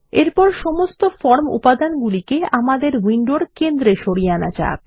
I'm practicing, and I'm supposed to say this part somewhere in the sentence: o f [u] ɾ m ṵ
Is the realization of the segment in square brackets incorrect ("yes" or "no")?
yes